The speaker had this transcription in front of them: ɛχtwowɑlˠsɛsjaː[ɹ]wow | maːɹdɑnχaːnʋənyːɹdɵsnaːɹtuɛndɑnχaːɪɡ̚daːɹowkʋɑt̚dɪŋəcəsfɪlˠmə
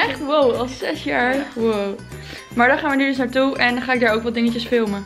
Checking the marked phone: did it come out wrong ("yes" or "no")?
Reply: no